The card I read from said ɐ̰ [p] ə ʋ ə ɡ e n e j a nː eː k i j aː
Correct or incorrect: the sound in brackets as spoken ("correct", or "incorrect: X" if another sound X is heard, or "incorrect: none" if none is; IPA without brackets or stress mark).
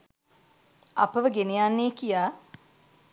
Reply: correct